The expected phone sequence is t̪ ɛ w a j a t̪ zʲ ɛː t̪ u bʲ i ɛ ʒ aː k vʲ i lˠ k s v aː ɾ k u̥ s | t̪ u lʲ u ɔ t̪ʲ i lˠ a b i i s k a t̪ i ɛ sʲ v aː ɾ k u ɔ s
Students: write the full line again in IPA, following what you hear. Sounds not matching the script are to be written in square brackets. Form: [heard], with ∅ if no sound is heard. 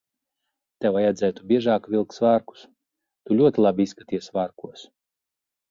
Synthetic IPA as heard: t̪ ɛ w a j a [d̪] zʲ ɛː t̪ u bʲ i ɛ ʒ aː k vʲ i lˠ k s v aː ɾ k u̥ s | t̪ u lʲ u ɔ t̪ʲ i lˠ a b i i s k a t̪ i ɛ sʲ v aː ɾ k u ɔ s